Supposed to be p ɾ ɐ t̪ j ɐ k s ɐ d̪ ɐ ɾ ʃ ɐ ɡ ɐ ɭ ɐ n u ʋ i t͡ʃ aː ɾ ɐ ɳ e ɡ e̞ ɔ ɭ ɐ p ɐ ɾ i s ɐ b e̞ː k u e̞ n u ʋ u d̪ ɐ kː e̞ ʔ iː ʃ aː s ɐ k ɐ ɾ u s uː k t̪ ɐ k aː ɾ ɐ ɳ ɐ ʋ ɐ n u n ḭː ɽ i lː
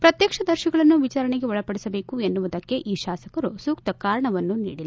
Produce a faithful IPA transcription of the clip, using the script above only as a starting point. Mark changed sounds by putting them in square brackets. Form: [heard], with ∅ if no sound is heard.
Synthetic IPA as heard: p ɾ ɐ t̪ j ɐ k [ʂ] ɐ d̪ ɐ ɾ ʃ ɐ ɡ ɐ ɭ ɐ [nː] u ʋ i t͡ʃ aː ɾ ɐ ɳ e ɡ e̞ ɔ ɭ ɐ p ɐ [ɽ] i s ɐ b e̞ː k u e̞ [nː] u ʋ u d̪ ɐ kː e̞ ʔ iː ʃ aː s ɐ k ɐ ɾ u s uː k t̪ ɐ k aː ɾ ɐ ɳ ɐ ʋ ɐ [nː] u n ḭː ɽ i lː